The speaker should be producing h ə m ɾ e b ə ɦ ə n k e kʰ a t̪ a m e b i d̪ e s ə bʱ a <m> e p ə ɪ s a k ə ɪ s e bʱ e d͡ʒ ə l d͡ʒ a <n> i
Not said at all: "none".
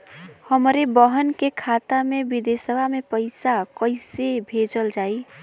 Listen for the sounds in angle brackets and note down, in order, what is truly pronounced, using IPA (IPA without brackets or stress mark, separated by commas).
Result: m, none